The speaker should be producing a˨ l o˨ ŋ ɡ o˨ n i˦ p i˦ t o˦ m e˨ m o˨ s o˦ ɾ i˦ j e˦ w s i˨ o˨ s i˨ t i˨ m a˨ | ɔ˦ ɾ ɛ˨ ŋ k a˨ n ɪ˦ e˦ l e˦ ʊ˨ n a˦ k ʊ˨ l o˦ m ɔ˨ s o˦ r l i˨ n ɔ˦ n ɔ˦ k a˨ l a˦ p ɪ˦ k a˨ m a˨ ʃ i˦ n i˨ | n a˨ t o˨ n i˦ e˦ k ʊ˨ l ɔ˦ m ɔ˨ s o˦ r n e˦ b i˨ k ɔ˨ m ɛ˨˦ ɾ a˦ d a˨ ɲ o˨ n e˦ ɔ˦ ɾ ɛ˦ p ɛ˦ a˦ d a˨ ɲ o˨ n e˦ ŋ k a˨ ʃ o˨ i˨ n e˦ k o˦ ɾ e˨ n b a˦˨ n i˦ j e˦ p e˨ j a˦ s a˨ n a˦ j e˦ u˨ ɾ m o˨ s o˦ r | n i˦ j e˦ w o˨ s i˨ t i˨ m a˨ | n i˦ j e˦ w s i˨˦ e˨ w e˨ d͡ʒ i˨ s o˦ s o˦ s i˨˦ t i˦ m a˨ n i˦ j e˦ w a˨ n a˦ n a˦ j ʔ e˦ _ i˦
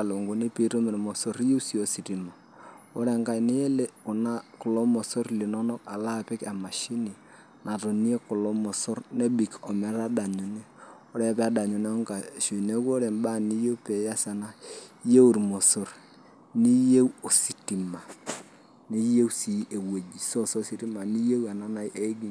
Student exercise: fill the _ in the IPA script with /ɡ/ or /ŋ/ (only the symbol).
ɡ